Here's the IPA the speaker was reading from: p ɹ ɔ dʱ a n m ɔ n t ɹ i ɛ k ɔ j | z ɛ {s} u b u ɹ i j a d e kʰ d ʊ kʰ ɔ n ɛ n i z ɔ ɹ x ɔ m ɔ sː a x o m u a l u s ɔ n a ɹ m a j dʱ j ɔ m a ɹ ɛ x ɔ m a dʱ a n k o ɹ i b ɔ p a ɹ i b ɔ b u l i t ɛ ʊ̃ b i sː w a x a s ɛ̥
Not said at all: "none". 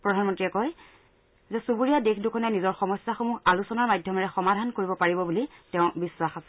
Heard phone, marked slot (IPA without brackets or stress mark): s